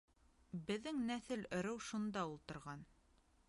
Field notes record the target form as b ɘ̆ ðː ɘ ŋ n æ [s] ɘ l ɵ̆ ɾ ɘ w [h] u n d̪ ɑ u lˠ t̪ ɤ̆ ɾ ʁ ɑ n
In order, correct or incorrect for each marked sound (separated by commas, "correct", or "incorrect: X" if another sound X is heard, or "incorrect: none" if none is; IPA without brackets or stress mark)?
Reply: incorrect: θ, incorrect: ʃ